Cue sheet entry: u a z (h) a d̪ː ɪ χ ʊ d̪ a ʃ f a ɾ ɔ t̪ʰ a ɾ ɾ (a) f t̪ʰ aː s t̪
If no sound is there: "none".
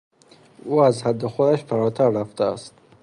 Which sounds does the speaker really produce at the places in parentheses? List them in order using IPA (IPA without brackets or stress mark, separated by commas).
h, a